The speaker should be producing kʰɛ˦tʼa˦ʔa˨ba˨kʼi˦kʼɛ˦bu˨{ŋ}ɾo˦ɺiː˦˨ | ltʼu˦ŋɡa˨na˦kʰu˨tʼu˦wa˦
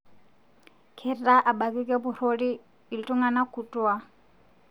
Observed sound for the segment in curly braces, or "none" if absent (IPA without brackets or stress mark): none